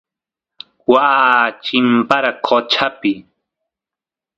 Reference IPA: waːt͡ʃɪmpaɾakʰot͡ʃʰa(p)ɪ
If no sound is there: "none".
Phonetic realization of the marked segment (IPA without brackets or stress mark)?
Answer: p